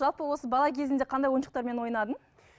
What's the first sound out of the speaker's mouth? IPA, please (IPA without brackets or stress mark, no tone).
ʒ